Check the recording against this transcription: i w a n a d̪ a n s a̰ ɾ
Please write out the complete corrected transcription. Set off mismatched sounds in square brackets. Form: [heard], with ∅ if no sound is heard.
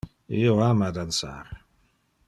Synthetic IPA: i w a [m] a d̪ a n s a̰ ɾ